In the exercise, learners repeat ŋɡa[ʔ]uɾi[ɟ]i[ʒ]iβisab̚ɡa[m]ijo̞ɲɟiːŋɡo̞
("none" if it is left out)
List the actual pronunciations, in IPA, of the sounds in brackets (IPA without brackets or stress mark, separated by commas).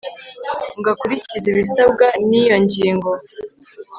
k, c, z, n